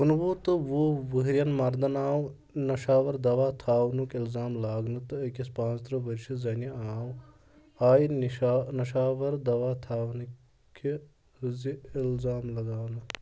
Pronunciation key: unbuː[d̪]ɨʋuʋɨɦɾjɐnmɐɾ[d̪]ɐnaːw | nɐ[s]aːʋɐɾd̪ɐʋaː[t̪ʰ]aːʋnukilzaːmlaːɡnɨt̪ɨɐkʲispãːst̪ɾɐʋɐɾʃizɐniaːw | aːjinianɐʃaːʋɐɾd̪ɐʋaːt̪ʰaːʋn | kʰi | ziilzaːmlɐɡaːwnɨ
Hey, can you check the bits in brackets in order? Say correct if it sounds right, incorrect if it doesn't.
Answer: incorrect: t̪, correct, incorrect: ʃ, correct

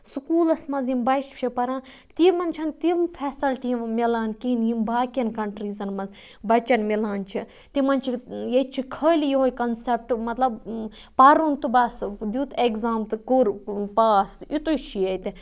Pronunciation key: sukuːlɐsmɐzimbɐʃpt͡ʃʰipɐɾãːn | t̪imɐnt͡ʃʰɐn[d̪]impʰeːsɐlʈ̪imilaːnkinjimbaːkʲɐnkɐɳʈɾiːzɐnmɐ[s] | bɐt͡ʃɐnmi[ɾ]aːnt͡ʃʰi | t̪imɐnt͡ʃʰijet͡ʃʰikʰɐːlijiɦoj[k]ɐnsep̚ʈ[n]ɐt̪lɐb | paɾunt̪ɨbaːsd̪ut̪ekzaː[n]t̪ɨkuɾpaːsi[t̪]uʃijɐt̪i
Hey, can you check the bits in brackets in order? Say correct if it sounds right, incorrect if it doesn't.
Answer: incorrect: t̪, incorrect: z, incorrect: l, correct, incorrect: m, incorrect: m, correct

